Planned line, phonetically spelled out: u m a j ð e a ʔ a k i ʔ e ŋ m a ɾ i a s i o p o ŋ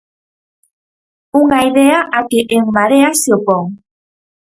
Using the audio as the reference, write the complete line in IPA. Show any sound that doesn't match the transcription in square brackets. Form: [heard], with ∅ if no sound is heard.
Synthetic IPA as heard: u [ŋ] a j ð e a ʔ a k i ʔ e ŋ m a ɾ [e] a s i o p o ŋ

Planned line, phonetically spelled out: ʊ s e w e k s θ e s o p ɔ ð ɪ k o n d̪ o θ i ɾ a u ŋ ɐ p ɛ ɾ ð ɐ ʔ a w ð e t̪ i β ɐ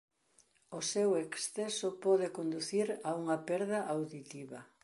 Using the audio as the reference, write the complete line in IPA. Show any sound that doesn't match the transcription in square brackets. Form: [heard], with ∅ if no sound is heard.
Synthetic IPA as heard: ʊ s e w e k s θ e s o p ɔ ð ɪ k o n d̪ [u] θ i ɾ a u ŋ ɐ p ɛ ɾ ð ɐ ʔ a w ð [i] t̪ i β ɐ

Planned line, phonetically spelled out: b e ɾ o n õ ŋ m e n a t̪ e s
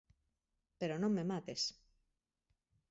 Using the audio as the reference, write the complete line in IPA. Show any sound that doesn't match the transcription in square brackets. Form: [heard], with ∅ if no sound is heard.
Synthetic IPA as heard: [p] e ɾ o n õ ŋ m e [m] a t̪ e s

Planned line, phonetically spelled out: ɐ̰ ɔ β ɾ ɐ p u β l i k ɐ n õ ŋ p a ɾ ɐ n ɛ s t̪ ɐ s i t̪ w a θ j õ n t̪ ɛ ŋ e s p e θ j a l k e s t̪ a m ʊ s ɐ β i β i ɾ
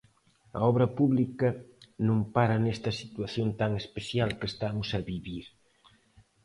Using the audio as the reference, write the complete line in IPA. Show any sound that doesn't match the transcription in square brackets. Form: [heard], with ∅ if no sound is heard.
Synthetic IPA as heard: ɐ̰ ɔ β ɾ ɐ p u β l i k ɐ n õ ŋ p a ɾ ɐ n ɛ s t̪ ɐ s i t̪ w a θ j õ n t̪ [a] ŋ e s p e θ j a l k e s t̪ a m ʊ s ɐ β i β i ɾ

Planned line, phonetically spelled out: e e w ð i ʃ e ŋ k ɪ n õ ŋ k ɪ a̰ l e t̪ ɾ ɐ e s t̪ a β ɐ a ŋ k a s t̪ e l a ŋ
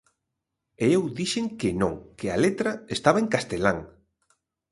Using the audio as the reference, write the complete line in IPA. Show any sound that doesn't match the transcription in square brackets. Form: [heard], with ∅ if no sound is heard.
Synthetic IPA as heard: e e w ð i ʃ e ŋ k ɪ n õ ŋ k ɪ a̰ l e t̪ ɾ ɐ e s t̪ a β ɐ [e] ŋ k a s t̪ e l a ŋ

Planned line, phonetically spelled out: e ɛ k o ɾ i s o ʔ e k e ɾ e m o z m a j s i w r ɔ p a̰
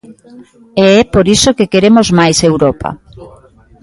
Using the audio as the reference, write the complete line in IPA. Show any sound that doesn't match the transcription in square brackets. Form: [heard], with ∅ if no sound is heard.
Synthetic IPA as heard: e ɛ [p] o ɾ i s o [k] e k e ɾ e m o z m a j s [e] w [ɾ] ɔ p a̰

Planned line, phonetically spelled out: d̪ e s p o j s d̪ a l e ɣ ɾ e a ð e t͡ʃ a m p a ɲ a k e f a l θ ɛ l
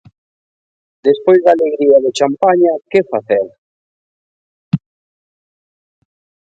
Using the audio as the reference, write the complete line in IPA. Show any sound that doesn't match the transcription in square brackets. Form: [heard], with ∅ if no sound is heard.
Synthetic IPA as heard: d̪ e s p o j [z] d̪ a l e ɣ ɾ [i] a ð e t͡ʃ a m p a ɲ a k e f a [∅] θ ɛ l

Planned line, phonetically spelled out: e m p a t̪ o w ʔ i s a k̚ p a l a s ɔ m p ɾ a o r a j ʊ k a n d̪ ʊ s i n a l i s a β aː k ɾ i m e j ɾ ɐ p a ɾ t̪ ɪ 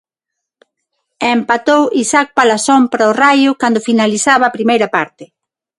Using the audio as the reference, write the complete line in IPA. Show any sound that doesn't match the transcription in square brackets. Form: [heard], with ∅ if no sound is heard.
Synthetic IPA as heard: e m p a t̪ o w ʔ i s a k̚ p a l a s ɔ m p ɾ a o r a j ʊ k a n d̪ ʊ [f] i n a l i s a β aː [p] ɾ i m e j ɾ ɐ p a ɾ t̪ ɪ

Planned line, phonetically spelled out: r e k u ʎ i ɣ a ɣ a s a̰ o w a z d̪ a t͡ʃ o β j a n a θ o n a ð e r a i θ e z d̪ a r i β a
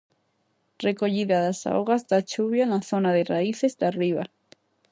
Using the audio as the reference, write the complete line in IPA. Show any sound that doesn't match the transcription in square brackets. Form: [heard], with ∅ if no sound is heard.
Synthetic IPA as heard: r e k [o] ʎ i [ð] a [ð] a s a̰ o [ɣ] a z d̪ a t͡ʃ [u] β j a n a θ o n a ð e r a i θ e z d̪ a r i β a

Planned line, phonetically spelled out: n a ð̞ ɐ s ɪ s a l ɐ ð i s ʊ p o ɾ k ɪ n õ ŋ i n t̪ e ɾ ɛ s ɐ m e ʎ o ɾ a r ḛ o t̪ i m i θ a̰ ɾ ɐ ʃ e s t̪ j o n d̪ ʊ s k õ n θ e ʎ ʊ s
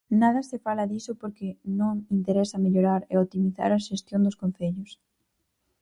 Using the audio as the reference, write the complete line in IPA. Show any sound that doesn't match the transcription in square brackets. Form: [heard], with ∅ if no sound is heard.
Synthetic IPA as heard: n a ð̞ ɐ s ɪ [f] a l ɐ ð i s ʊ p o ɾ k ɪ n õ ŋ i n t̪ e ɾ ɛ s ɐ m e ʎ o ɾ a [ɾ] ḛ o t̪ i m i θ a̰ ɾ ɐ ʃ e s t̪ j o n d̪ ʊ s k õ n θ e ʎ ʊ s

